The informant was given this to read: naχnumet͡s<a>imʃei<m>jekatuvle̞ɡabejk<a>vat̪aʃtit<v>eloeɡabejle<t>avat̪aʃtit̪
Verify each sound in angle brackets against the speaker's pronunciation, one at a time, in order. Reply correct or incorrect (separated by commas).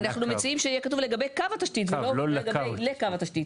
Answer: incorrect, incorrect, correct, correct, incorrect